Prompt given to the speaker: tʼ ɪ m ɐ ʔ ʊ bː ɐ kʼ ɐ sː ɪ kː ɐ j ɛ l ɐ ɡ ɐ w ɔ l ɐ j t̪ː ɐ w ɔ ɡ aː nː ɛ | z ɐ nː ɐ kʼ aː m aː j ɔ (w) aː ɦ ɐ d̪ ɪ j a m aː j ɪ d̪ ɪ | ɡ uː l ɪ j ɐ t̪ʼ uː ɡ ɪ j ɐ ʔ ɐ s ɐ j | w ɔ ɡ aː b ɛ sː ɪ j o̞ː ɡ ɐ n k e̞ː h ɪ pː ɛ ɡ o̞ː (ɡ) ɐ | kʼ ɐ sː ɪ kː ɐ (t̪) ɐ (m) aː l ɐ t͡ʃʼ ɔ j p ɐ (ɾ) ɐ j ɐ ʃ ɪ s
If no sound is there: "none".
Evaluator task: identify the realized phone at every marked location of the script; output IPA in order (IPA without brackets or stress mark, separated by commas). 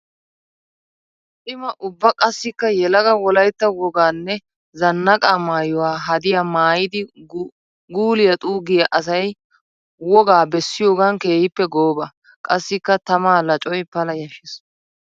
w, b, t̪, m, l